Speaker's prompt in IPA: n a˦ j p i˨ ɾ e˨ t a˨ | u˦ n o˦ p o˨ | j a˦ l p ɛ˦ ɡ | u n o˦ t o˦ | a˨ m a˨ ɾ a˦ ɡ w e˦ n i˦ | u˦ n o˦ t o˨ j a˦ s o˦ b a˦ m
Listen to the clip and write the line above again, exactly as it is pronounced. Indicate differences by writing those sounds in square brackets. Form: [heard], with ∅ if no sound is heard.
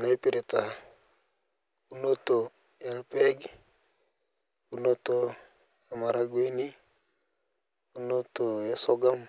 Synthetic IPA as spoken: n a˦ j p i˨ ɾ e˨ t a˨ | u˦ n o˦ [t] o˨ | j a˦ l p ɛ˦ ɡ | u n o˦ t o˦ | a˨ m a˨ ɾ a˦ ɡ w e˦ n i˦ | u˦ n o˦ t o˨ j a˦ s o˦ [ɡ] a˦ m